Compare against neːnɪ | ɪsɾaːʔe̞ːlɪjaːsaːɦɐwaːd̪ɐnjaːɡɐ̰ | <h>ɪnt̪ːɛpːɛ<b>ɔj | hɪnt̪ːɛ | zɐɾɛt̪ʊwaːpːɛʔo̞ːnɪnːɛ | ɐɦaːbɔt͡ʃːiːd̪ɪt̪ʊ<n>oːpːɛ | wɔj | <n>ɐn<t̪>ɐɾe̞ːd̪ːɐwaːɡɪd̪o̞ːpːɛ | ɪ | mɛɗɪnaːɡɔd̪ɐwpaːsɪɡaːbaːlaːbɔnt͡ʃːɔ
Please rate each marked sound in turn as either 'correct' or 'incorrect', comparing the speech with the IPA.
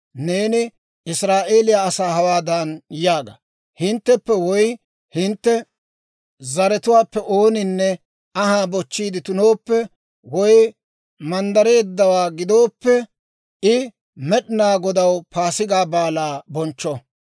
correct, incorrect, correct, incorrect, incorrect

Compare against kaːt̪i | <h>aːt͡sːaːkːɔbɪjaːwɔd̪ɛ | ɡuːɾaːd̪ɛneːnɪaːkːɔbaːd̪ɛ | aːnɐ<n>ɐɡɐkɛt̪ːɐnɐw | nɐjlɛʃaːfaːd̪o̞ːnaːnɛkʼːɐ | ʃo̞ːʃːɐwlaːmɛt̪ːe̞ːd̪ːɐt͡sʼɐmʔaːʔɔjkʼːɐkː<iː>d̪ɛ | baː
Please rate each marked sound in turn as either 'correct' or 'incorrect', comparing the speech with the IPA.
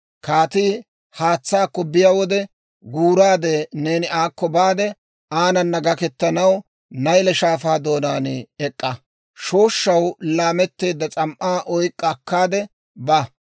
correct, incorrect, incorrect

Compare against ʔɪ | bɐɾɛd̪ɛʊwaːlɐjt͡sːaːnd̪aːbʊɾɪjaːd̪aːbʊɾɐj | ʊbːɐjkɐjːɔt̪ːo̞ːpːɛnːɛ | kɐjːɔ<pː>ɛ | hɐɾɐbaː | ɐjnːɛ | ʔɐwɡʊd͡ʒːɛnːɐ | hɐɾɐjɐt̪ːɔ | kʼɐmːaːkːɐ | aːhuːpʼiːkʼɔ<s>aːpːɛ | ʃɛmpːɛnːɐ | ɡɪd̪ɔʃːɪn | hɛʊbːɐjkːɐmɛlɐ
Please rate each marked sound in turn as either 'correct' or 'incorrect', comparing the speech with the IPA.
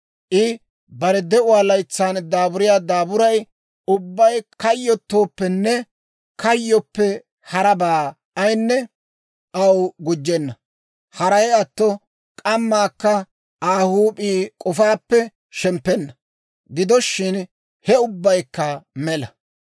correct, incorrect

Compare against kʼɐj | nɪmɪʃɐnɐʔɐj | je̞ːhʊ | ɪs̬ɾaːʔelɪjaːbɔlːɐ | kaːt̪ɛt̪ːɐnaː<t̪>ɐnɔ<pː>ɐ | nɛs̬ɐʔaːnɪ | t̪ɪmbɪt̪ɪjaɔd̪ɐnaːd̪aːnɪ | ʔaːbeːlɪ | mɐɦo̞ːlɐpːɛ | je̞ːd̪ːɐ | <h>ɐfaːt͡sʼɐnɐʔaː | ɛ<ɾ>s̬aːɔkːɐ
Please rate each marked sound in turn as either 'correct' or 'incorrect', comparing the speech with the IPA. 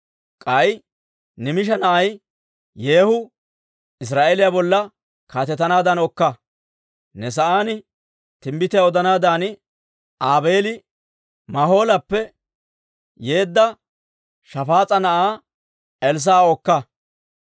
incorrect, incorrect, incorrect, incorrect

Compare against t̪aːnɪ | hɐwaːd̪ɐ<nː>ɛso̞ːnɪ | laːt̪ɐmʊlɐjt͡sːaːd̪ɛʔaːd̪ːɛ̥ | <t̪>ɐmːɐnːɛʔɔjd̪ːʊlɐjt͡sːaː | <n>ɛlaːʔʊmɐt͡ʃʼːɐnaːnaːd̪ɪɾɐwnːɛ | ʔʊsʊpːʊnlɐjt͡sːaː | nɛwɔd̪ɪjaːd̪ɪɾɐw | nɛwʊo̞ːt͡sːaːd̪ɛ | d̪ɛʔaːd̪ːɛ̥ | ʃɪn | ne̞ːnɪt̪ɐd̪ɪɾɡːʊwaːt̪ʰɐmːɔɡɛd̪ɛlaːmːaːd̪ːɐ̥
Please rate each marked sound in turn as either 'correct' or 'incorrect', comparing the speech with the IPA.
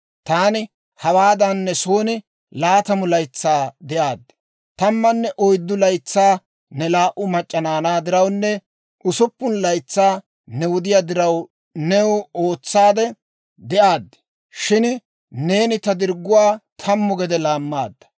correct, correct, correct

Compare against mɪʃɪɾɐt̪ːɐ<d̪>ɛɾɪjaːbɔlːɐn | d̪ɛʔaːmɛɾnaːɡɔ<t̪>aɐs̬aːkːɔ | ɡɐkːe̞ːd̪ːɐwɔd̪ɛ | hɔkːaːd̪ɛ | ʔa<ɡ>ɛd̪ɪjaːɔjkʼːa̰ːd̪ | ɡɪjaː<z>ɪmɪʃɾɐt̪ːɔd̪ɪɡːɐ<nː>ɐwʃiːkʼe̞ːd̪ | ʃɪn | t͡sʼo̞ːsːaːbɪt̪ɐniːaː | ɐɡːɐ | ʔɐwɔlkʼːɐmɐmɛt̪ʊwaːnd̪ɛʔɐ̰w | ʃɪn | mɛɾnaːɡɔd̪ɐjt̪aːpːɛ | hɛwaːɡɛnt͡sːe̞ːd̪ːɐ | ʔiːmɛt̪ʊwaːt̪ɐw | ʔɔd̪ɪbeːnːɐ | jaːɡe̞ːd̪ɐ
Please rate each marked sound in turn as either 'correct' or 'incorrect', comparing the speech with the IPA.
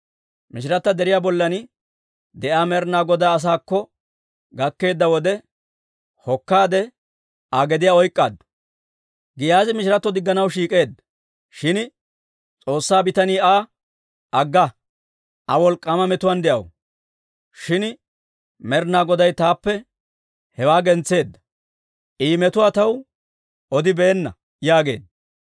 correct, incorrect, correct, correct, incorrect

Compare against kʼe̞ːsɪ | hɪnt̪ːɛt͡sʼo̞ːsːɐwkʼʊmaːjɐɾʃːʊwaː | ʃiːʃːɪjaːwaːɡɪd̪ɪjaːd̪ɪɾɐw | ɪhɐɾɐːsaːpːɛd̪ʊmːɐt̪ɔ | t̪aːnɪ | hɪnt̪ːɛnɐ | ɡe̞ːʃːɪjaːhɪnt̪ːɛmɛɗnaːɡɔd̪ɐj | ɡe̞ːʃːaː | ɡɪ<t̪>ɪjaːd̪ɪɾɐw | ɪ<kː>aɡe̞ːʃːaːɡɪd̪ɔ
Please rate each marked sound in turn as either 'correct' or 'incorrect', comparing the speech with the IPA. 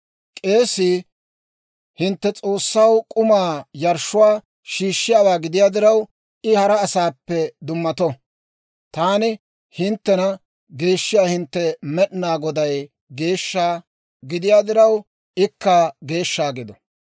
incorrect, correct

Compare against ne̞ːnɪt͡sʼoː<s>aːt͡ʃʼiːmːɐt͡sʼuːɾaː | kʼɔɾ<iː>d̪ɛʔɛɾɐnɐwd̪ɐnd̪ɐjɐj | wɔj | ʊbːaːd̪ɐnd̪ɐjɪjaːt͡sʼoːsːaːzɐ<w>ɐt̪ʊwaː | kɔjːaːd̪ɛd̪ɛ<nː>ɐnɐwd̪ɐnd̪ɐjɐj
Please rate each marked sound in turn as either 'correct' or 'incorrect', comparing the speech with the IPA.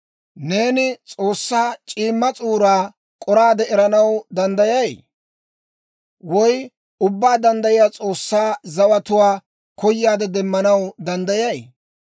incorrect, incorrect, correct, incorrect

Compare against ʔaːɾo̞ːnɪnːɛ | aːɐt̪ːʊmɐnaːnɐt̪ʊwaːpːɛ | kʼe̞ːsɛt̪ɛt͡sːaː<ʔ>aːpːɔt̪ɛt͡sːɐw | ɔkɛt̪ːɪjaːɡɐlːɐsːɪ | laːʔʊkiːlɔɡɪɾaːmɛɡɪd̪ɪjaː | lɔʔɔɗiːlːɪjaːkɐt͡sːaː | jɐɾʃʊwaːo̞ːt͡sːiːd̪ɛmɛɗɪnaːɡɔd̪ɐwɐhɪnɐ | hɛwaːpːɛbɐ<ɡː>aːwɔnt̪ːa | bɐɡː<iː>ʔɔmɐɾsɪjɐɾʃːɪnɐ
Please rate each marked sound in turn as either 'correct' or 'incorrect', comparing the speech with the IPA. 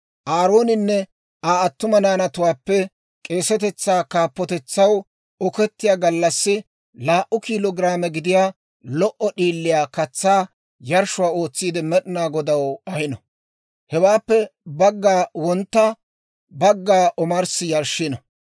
incorrect, correct, incorrect

